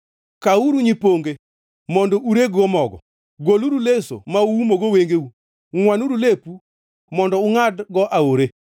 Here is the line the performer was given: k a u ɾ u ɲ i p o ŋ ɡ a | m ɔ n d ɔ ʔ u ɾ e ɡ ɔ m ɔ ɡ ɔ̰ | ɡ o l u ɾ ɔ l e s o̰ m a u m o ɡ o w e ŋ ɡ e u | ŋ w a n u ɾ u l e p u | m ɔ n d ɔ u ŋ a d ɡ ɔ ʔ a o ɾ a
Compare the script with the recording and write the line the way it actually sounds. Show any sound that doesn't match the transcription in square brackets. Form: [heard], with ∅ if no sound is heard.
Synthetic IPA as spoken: k a u ɾ u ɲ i p o ŋ ɡ [e] | m ɔ n d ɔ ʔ u ɾ e ɡ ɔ m ɔ ɡ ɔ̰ | ɡ o l u ɾ [u] l e s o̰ m a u m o ɡ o w e ŋ ɡ e u | ŋ w a n u ɾ u l e p u | m ɔ n d ɔ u ŋ a d ɡ ɔ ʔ a o ɾ [e]